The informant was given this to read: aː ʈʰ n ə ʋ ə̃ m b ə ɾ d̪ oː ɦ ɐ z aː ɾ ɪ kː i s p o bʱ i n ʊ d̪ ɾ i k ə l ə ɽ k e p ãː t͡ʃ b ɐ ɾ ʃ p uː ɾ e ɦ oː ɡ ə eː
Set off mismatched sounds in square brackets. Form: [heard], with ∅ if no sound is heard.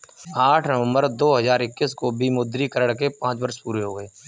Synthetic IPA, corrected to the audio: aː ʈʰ n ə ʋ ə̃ m b ə ɾ d̪ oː ɦ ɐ z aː ɾ ɪ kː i s [k] o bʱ i [m] ʊ d̪ ɾ i k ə [ɾ] ə ɽ k e p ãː t͡ʃ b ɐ ɾ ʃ p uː ɾ e ɦ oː ɡ ə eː